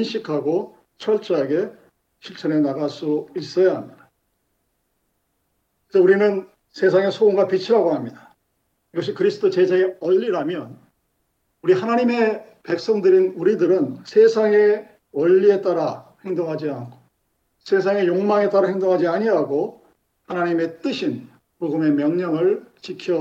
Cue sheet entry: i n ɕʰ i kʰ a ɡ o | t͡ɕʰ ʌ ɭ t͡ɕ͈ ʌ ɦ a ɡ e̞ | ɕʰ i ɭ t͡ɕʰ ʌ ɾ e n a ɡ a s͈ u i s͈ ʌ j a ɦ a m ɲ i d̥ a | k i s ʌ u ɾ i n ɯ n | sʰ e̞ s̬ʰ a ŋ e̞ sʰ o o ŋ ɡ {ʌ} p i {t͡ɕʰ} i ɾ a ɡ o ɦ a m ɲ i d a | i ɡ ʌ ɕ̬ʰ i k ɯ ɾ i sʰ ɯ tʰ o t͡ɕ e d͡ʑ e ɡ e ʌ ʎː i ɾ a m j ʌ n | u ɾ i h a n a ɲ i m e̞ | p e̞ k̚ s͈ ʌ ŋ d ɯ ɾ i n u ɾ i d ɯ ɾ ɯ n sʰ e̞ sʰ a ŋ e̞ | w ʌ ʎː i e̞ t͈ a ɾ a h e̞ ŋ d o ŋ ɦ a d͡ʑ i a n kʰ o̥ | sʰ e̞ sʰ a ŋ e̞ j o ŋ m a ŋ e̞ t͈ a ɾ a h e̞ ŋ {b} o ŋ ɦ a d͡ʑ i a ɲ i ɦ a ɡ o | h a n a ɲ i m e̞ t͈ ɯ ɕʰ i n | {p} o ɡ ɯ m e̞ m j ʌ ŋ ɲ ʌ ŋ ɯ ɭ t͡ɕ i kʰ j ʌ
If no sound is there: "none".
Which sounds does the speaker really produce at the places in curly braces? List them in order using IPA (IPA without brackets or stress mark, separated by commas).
a, t͡ɕʰ, d, p